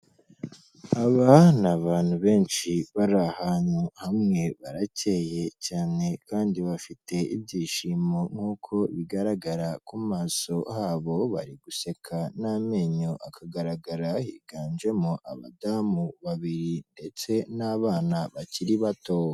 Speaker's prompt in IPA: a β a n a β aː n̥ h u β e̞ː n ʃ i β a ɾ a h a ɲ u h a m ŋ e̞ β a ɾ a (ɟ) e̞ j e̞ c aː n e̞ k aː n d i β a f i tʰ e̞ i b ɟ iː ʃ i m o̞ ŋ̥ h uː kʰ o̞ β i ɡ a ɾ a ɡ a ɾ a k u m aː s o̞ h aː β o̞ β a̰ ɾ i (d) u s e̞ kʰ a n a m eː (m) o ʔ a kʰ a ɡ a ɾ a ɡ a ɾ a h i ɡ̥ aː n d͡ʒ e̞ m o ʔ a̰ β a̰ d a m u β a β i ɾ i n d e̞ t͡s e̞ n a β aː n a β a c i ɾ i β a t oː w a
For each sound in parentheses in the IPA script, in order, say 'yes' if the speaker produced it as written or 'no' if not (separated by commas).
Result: no, no, no